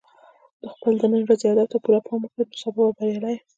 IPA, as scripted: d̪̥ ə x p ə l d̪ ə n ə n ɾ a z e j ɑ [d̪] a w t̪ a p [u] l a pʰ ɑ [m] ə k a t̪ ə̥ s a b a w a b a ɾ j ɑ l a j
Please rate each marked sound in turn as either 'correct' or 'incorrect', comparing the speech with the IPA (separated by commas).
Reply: correct, correct, correct